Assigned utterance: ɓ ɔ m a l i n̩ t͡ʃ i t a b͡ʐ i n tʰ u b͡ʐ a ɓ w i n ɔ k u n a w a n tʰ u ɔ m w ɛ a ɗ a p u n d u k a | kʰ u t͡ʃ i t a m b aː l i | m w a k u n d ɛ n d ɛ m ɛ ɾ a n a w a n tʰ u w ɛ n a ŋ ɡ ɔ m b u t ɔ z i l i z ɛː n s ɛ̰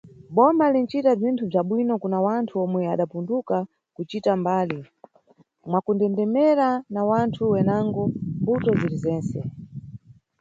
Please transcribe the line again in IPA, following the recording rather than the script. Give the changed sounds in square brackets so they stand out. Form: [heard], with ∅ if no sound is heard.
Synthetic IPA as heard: ɓ ɔ m a l i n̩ t͡ʃ i t a b͡ʐ i n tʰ u b͡ʐ a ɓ w i n ɔ k u n a w a n tʰ u ɔ m w ɛ a ɗ a p u n d u k a | [k] u t͡ʃ i t a m b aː l i | m w a k u n d ɛ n d ɛ m ɛ ɾ a n a w a n tʰ u w ɛ n a ŋ ɡ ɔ m b u t ɔ z i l i z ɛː n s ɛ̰